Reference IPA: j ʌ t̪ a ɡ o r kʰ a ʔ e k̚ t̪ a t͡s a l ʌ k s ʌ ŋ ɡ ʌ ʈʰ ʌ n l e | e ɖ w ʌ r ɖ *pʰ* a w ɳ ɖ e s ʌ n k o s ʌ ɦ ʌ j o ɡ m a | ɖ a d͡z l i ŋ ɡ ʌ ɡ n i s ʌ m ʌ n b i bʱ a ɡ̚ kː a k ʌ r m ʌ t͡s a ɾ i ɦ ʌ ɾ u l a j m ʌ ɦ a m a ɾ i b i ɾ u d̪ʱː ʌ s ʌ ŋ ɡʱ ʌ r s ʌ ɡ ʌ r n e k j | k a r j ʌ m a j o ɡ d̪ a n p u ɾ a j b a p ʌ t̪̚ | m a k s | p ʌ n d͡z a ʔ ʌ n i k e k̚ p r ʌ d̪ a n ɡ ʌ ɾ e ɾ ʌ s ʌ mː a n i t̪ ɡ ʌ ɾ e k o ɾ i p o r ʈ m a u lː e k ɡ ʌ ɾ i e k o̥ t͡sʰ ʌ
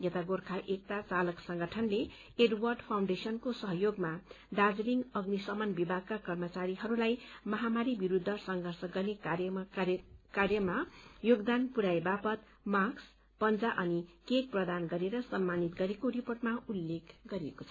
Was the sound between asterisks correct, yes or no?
yes